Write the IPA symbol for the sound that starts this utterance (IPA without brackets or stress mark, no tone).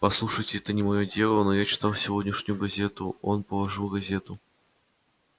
p